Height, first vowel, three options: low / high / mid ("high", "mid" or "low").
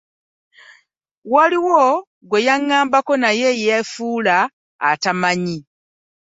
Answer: low